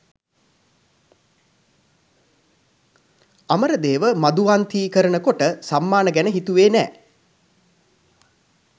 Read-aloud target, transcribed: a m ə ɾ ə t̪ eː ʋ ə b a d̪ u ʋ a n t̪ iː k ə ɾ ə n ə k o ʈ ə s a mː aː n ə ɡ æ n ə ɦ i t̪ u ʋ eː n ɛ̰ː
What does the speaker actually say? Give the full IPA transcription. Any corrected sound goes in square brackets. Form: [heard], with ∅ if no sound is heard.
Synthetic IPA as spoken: a m ə ɾ ə [d̪] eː ʋ ə [m] a d̪ u ʋ a n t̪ iː k ə ɾ ə n ə k o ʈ ə s a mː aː n ə ɡ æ n ə ɦ i t̪ u ʋ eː n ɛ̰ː